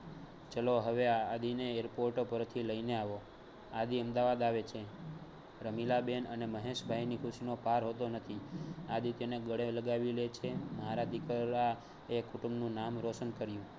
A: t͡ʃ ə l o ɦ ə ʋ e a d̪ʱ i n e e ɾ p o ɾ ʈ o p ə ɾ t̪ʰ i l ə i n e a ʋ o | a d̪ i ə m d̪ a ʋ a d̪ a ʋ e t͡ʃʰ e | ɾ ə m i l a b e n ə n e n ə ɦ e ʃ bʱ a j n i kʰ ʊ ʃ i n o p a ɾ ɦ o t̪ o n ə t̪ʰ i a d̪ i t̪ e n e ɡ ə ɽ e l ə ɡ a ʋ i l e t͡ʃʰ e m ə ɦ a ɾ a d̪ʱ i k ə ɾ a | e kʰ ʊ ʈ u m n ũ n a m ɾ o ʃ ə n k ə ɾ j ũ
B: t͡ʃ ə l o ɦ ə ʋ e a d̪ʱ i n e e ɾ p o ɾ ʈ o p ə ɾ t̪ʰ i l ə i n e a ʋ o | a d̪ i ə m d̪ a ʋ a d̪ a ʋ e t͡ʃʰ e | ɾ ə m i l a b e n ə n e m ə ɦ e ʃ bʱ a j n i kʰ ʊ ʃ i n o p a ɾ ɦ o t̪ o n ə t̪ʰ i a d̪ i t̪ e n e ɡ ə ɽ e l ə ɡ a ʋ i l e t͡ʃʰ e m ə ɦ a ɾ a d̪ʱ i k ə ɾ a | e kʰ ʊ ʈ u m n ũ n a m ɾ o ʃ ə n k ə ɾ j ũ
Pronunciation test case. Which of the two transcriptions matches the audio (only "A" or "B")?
B